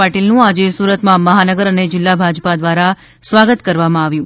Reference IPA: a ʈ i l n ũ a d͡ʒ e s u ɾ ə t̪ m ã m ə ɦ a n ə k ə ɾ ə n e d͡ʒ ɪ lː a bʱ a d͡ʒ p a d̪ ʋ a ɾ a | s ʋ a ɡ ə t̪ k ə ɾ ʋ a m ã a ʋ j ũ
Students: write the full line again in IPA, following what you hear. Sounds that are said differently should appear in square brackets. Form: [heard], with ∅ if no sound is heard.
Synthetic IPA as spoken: a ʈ i l n ũ a d͡ʒ e s u ɾ ə t̪ m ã m ə ɦ a n ə [ɡ] ə ɾ ə n e d͡ʒ ɪ lː a bʱ a d͡ʒ p a d̪ ʋ a ɾ a | s ʋ a ɡ ə t̪ k ə ɾ ʋ a m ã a ʋ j ũ